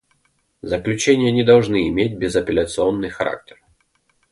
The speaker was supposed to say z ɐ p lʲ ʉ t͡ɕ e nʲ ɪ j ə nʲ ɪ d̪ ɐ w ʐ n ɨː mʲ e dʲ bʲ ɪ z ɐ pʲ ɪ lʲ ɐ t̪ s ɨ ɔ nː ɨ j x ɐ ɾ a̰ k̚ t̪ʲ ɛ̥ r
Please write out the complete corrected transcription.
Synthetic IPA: z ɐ k lʲ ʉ t͡ɕ e nʲ ɪ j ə nʲ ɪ d̪ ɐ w ʐ n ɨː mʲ e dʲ bʲ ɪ z ɐ pʲ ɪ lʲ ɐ t̪ s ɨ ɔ nː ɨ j x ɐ ɾ a̰ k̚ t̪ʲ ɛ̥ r